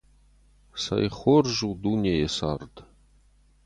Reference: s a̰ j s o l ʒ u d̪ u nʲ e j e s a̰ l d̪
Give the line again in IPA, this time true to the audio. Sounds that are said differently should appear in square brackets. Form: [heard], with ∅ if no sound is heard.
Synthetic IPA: s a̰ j [χ] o [r] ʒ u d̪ u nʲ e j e s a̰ [r] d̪